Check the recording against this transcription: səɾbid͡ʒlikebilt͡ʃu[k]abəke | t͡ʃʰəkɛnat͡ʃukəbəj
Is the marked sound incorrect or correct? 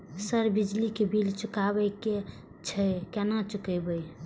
correct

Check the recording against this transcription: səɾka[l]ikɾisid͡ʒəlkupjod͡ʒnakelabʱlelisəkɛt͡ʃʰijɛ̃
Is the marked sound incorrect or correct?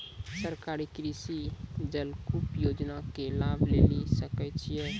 incorrect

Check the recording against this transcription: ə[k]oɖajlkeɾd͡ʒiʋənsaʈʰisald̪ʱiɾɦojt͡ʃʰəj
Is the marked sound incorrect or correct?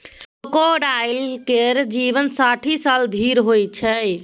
correct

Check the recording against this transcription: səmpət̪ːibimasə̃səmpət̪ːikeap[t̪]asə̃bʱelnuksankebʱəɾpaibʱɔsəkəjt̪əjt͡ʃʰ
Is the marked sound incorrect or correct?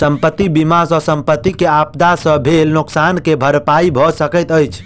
incorrect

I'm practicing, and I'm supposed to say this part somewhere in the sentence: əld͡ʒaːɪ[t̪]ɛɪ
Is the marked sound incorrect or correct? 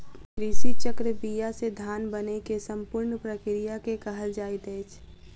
correct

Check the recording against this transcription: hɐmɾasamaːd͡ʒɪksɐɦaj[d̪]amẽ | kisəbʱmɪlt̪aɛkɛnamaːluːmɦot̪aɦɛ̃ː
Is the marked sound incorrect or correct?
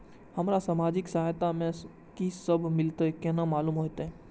incorrect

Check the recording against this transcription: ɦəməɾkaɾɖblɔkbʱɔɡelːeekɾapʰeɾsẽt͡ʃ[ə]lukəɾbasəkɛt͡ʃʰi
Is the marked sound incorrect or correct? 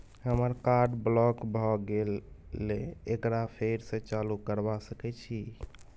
incorrect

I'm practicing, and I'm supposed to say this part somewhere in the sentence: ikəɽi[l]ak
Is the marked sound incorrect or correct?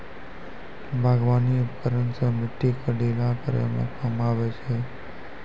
correct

